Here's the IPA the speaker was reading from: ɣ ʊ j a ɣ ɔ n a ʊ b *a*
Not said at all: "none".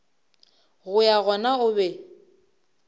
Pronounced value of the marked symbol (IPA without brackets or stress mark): ɛ